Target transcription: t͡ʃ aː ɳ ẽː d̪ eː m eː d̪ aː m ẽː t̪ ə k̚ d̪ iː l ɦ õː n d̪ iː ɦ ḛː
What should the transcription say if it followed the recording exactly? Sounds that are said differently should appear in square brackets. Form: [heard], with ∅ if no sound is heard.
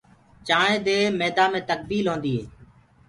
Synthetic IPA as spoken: t͡ʃ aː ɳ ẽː d̪ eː m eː d̪ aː m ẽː t̪ ə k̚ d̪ iː l ɦ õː n d̪ iː ɦ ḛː